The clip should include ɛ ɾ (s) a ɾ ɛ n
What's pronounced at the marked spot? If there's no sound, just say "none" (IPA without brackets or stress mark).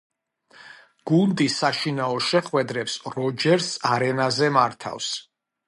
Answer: s